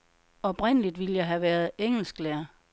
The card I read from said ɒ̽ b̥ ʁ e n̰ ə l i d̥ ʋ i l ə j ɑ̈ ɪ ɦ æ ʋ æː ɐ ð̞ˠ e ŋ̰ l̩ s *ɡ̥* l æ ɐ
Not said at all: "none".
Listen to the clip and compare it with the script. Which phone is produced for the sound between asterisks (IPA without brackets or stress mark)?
ɡ̥